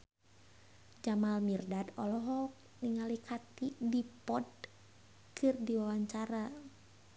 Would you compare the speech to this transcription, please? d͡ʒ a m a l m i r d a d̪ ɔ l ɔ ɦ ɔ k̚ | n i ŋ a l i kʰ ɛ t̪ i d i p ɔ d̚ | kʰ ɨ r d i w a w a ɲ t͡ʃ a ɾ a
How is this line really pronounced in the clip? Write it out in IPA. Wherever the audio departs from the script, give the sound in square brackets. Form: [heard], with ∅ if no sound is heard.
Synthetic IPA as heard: d͡ʒ a m a l m i r d a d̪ ɔ l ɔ ɦ ɔ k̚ | n i ŋ a l i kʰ [a] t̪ i d i p ɔ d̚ | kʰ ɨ r d i w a w a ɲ t͡ʃ a ɾ a